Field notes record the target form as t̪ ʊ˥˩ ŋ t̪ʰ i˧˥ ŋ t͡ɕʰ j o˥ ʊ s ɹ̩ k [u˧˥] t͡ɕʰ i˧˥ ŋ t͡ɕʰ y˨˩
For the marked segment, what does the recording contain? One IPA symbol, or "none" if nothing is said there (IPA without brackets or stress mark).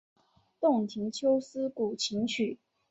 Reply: u˨˩